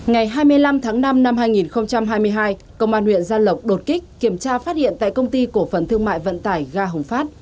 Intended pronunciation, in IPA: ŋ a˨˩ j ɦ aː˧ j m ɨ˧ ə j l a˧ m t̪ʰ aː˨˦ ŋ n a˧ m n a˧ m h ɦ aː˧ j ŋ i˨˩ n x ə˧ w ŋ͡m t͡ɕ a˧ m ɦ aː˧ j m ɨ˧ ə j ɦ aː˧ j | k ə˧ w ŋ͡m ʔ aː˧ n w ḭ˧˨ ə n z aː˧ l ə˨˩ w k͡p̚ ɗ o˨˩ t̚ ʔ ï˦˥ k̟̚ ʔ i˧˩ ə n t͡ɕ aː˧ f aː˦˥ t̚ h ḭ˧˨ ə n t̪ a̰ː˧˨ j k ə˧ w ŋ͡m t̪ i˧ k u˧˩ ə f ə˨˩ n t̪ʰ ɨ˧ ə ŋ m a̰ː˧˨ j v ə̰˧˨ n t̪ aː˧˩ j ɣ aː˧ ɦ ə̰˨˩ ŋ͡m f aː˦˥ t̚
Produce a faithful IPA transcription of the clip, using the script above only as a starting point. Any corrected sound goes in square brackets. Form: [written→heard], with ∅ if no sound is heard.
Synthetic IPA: ŋ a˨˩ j ɦ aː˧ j m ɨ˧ ə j l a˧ m t̪ʰ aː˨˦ ŋ n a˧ m n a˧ m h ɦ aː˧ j ŋ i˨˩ n x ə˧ w ŋ͡m t͡ɕ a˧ m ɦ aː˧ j m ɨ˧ ə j ɦ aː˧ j | k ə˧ w ŋ͡m ʔ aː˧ n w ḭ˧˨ ə n z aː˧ l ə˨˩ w k͡p̚ ɗ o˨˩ t̚ [ʔ→k] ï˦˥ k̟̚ [ʔ→k] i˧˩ ə [n→m] t͡ɕ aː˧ f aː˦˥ t̚ h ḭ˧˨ ə n t̪ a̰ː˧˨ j k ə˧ w ŋ͡m t̪ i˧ k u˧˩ ə f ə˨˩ n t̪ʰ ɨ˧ ə ŋ m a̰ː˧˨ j v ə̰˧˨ n t̪ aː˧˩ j ɣ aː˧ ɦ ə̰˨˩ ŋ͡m f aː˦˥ t̚

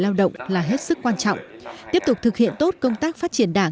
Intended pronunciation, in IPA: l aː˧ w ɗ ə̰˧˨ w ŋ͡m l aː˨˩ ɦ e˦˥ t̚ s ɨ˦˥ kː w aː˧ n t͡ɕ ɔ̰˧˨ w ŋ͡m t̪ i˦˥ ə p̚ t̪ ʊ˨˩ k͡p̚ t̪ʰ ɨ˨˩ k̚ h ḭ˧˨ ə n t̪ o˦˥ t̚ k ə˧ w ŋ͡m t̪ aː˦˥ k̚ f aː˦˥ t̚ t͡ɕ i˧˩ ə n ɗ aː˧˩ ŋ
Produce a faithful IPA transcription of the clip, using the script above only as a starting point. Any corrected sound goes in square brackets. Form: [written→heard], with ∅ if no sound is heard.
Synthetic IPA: l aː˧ w ɗ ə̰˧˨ w ŋ͡m l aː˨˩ ɦ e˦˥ t̚ s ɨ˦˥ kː w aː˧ n t͡ɕ ɔ̰˧˨ w ŋ͡m t̪ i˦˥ ə p̚ t̪ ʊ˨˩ k͡p̚ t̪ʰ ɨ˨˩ k̚ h ḭ˧˨ ə n t̪ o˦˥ t̚ k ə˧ w ŋ͡m t̪ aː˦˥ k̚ f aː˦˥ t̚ t͡ɕ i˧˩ ə n ɗ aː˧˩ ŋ

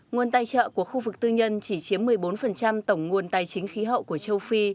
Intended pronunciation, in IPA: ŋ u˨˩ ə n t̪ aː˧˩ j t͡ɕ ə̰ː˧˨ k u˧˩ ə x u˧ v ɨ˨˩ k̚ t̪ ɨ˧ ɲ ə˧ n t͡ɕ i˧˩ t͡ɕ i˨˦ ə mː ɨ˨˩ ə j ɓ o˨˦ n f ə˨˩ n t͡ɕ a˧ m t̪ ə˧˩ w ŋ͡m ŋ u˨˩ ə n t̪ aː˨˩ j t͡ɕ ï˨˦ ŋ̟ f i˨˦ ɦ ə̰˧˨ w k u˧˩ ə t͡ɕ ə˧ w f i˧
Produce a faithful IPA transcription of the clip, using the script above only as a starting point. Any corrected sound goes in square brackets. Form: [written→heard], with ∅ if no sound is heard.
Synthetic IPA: ŋ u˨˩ ə n t̪ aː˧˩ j t͡ɕ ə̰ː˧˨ k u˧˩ ə x u˧ v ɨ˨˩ k̚ t̪ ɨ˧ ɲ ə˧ n t͡ɕ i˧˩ t͡ɕ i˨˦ ə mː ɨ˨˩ ə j ɓ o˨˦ n f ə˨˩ n t͡ɕ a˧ m t̪ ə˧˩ w ŋ͡m ŋ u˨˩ ə n t̪ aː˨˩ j t͡ɕ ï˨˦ ŋ̟ [f→x] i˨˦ ɦ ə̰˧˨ w k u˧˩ ə t͡ɕ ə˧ w f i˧

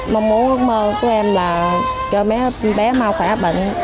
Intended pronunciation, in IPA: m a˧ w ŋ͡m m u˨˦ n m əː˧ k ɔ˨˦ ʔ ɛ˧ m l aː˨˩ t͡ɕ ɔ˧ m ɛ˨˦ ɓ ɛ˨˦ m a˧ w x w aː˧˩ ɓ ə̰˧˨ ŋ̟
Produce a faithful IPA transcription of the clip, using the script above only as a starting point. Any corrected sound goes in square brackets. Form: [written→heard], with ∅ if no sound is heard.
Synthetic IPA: m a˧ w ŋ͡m m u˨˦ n m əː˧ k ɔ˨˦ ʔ ɛ˧ m l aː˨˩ t͡ɕ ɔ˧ m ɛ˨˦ ɓ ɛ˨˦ m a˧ w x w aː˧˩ ɓ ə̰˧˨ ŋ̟

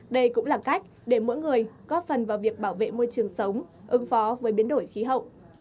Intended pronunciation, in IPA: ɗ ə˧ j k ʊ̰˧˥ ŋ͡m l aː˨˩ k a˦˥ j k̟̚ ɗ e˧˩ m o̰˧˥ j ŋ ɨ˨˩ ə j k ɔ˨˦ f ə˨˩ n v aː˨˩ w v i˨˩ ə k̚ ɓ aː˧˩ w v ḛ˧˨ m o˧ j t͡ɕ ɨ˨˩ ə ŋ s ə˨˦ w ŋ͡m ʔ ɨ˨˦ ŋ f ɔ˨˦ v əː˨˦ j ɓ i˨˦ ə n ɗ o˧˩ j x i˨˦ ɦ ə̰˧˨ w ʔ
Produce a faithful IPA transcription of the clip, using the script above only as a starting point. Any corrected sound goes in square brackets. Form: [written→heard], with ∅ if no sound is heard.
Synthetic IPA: ɗ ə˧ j k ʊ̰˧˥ ŋ͡m l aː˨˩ k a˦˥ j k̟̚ ɗ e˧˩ m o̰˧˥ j ŋ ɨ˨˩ ə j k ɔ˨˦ f ə˨˩ n v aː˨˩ w v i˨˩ ə k̚ ɓ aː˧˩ w v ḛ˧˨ m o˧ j t͡ɕ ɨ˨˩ ə ŋ s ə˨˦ w ŋ͡m ʔ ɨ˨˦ ŋ f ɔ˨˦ v əː˨˦ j ɓ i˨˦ ə n ɗ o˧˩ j x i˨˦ ɦ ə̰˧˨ w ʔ

